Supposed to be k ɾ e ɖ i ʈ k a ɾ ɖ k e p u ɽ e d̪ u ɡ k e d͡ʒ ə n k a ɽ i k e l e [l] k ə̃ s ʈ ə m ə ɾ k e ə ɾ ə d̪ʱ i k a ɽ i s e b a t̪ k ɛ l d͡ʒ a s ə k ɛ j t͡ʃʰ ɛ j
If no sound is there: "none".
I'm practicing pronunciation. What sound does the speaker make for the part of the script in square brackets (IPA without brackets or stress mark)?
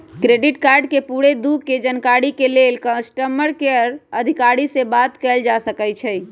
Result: l